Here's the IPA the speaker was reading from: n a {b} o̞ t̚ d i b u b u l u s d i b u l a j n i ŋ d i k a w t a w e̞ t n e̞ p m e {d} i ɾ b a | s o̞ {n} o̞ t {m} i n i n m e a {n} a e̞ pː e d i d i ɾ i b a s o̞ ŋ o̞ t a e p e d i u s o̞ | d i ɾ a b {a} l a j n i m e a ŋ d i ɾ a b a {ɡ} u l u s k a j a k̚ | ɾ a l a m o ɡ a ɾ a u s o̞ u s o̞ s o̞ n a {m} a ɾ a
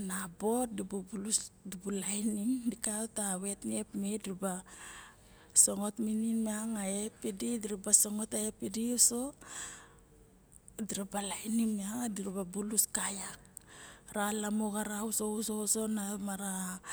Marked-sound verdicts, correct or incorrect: correct, correct, incorrect: ŋ, correct, incorrect: ŋ, correct, incorrect: b, correct

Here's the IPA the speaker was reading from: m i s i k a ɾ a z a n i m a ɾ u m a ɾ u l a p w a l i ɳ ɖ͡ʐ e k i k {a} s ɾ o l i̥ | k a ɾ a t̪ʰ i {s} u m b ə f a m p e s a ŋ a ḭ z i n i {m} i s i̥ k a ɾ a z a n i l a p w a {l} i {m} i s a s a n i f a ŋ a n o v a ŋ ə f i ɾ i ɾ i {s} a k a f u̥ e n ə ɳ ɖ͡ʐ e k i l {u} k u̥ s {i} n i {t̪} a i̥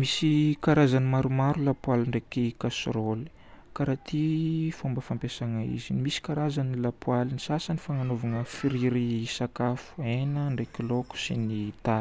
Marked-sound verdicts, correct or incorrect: correct, incorrect: f, correct, correct, incorrect: n, correct, incorrect: o, correct, correct

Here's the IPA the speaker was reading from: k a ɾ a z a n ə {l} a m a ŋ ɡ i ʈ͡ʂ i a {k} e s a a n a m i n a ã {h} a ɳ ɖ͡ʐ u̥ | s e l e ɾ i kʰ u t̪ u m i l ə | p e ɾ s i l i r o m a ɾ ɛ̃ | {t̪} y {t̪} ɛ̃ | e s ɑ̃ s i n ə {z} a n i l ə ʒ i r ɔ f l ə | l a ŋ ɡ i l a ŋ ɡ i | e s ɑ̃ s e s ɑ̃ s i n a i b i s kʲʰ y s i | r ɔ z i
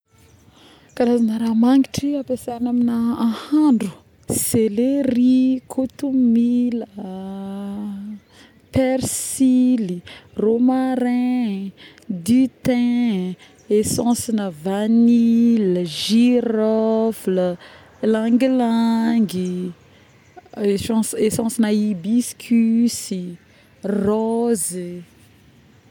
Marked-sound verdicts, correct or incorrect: incorrect: ɾ, incorrect: p, correct, incorrect: d̪, correct, incorrect: v

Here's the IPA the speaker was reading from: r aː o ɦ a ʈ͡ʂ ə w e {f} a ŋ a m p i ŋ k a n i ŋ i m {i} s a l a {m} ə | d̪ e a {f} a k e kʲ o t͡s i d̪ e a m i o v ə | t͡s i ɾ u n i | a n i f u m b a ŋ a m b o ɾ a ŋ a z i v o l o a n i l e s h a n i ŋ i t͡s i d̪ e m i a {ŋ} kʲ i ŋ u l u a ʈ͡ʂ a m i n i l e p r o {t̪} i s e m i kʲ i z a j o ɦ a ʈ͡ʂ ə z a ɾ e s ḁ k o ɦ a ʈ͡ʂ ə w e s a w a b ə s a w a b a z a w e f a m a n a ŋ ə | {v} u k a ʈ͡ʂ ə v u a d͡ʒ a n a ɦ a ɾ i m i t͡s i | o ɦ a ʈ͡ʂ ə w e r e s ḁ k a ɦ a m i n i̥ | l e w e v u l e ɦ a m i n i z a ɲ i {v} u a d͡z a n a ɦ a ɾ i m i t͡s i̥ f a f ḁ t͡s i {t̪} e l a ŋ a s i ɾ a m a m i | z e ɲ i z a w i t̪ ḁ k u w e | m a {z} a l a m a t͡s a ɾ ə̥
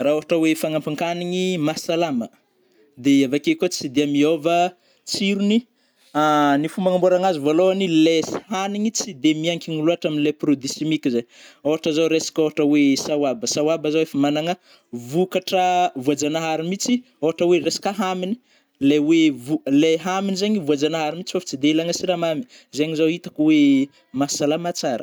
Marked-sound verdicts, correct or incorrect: correct, incorrect: a, correct, incorrect: v, correct, incorrect: d̪, correct, correct, incorrect: d̪, incorrect: s

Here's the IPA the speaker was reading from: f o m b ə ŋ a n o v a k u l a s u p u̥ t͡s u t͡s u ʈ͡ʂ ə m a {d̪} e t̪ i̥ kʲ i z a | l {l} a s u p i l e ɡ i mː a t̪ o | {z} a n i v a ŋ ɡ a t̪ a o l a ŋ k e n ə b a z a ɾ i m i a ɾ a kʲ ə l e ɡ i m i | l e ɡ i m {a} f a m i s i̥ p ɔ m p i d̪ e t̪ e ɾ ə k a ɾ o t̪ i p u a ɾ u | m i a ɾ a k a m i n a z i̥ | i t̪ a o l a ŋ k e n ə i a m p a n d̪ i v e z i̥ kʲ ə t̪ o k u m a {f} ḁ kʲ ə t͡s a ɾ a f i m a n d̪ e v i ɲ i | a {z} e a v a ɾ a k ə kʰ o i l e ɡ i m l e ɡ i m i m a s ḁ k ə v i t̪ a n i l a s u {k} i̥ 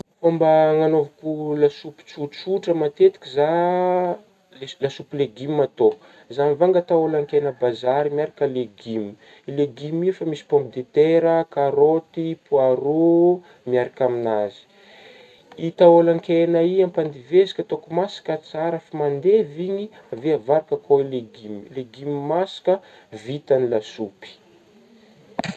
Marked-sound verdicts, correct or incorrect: incorrect: t̪, correct, correct, incorrect: i, incorrect: s, incorrect: v, incorrect: p

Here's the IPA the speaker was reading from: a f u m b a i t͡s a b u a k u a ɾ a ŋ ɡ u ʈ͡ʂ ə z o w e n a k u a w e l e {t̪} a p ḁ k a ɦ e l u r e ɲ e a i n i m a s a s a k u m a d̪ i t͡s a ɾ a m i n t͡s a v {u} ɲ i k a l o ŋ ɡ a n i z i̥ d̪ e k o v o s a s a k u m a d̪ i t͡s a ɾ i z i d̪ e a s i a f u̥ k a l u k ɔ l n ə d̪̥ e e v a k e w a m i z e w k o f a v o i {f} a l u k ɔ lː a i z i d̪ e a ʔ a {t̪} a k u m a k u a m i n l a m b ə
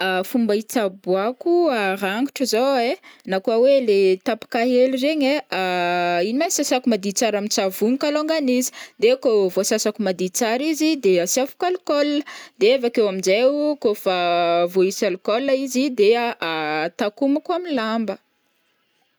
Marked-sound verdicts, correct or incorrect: correct, correct, incorrect: s, correct

